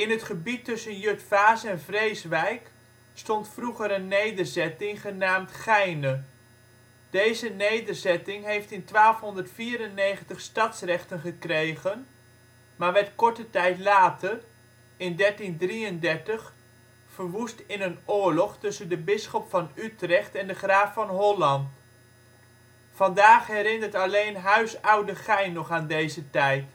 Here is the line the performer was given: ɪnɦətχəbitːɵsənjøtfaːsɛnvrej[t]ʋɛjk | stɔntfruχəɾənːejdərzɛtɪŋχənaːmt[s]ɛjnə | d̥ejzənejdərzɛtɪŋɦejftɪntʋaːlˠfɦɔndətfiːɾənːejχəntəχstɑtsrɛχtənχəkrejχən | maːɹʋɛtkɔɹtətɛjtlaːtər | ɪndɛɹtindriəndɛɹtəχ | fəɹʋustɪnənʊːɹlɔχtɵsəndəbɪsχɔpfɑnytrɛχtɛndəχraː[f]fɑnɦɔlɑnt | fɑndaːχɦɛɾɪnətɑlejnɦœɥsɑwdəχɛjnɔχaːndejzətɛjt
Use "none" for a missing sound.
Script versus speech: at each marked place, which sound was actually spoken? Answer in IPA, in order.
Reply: s, χ, f

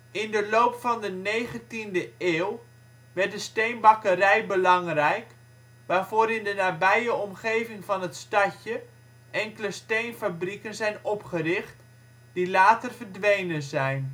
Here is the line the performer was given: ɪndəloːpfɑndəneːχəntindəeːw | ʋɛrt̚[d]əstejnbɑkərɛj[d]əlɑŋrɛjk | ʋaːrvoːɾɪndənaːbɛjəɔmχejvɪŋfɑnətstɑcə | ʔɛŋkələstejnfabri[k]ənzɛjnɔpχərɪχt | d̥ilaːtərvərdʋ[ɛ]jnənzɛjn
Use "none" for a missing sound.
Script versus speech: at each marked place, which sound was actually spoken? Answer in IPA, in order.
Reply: d, b, k, e

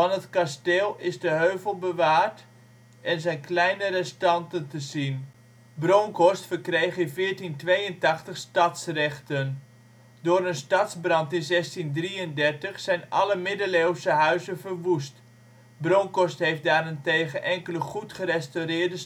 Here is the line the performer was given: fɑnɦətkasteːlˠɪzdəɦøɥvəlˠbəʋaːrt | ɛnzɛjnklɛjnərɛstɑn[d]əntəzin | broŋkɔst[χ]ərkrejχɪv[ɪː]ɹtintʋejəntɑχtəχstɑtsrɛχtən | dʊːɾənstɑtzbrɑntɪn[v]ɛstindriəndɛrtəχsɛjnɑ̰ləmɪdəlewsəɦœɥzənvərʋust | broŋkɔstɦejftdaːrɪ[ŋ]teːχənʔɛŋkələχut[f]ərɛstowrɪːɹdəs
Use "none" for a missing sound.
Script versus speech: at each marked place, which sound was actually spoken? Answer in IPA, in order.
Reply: t, f, ɪː, z, n, χ

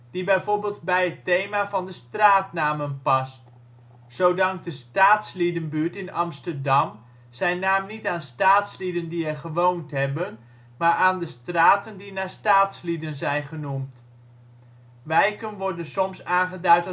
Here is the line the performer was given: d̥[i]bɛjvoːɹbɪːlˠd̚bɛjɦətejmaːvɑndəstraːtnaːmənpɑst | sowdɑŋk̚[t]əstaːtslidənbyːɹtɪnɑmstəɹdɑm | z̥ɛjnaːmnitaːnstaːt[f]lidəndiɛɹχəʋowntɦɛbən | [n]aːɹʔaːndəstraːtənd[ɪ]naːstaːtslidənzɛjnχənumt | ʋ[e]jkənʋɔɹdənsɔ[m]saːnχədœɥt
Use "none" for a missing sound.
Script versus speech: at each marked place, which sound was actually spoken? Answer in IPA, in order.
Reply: i, d, s, m, i, ɛ, m

